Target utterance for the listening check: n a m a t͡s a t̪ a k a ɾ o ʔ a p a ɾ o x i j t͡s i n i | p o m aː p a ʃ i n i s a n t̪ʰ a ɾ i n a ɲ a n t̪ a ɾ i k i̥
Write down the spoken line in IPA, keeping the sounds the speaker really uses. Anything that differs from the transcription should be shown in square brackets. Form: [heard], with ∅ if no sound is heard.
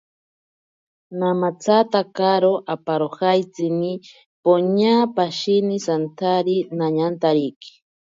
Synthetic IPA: n a m a t͡s a t̪ a k a ɾ o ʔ a p a ɾ o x [a] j t͡s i n i | p o [ɲ] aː p a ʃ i n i s a n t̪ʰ a ɾ i n a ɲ a n t̪ a ɾ i k i̥